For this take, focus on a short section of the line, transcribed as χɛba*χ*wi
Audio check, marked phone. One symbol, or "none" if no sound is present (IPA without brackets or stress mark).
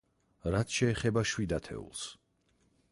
ʃ